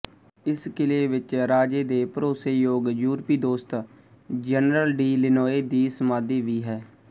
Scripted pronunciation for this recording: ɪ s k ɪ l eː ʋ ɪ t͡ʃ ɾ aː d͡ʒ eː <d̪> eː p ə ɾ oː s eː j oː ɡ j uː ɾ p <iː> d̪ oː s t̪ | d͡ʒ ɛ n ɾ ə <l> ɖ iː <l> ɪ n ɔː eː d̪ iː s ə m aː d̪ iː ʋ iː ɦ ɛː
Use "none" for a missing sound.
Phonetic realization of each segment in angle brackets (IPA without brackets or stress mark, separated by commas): d̪, iː, l, l